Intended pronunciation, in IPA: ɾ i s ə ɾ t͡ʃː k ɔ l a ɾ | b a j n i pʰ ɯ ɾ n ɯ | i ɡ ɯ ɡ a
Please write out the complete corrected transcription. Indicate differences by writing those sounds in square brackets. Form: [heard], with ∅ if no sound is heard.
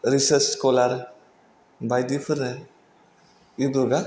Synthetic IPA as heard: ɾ i s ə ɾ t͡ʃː k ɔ l a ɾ | b a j [d] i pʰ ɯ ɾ n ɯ | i [b] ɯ ɡ a